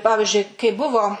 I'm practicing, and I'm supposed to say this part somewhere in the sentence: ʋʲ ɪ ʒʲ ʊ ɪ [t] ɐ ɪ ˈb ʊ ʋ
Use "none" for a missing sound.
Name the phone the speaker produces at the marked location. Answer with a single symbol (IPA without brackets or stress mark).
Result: k